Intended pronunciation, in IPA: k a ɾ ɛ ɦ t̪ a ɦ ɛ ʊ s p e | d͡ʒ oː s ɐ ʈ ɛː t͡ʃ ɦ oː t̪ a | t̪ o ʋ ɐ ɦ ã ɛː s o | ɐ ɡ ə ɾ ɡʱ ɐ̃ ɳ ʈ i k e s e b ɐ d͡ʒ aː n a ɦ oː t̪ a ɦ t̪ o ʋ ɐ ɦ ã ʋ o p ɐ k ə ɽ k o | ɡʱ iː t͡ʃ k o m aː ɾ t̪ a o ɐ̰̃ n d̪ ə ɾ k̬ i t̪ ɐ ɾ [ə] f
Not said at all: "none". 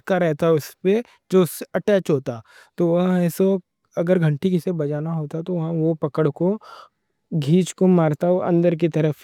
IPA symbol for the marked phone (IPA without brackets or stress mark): ə